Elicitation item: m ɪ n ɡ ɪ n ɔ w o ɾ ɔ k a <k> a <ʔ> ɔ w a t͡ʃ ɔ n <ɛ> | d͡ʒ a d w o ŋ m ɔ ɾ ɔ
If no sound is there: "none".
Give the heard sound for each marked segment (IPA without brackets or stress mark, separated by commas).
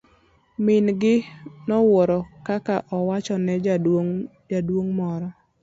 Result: k, ʔ, ɛ